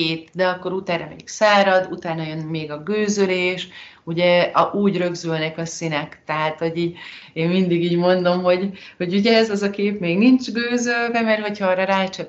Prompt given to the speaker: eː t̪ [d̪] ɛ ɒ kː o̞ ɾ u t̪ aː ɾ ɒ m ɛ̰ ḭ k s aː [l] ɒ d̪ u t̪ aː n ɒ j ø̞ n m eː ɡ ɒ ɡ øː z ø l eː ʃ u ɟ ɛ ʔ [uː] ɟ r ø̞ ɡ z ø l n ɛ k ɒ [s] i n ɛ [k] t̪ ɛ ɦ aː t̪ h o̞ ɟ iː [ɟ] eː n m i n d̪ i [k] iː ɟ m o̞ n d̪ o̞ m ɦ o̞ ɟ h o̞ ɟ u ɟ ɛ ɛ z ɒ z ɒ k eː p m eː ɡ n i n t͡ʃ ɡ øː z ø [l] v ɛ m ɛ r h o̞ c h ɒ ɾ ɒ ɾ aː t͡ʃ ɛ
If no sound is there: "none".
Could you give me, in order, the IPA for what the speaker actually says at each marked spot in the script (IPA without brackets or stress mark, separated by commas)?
d̪, ɾ, uː, s, k, ɟ, ɡ, l